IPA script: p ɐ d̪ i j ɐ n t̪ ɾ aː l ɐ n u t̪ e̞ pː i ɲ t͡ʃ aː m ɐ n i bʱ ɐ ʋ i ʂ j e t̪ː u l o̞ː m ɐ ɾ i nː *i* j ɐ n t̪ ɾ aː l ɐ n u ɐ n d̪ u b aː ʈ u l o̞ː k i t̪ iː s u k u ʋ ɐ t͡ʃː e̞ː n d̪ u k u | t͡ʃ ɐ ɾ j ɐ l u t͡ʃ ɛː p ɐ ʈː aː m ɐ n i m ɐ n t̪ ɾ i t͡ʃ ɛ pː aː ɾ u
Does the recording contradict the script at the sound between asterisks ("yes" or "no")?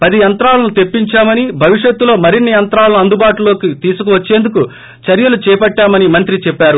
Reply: no